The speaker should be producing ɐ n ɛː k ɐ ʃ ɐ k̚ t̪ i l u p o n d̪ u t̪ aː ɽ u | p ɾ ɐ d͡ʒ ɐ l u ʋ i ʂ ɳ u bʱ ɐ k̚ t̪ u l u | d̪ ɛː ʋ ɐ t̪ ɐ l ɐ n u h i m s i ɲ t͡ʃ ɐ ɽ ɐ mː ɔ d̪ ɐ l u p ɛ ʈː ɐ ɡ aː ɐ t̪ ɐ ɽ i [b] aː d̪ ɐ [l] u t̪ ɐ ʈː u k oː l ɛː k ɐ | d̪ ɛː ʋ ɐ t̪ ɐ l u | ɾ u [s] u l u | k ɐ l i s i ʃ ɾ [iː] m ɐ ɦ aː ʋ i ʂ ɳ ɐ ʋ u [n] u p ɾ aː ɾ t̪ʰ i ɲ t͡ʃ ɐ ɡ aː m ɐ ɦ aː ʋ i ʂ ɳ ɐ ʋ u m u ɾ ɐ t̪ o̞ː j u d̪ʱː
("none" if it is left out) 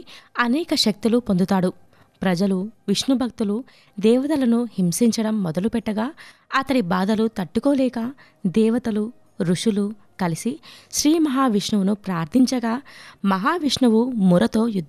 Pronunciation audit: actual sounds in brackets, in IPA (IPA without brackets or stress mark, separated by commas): b, l, ʂ, iː, n